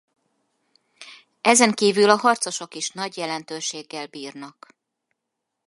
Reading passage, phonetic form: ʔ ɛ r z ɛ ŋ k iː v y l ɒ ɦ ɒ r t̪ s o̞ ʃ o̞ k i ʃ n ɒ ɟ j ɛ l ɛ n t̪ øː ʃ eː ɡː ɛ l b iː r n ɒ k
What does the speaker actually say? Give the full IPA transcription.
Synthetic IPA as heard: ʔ ɛ z ɛ ŋ k iː v y l ɒ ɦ ɒ r t̪ s o̞ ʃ o̞ k i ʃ n ɒ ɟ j ɛ l ɛ n t̪ øː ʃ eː ɡː ɛ l b iː r n ɒ k